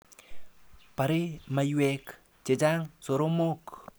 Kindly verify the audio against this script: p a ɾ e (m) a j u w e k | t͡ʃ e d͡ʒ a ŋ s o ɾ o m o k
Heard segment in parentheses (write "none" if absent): m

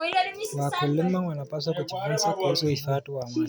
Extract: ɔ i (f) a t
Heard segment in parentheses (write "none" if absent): f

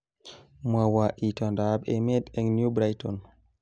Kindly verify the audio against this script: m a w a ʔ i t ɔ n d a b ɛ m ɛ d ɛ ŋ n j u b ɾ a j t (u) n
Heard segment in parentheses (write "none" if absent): ɔ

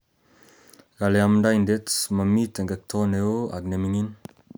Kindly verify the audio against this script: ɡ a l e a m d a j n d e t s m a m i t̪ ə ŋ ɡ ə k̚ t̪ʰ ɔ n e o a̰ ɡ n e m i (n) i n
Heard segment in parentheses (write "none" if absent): ŋ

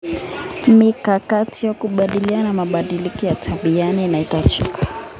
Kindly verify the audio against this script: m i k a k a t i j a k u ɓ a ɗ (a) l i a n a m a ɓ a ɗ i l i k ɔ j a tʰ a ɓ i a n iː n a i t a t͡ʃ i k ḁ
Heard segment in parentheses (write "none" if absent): i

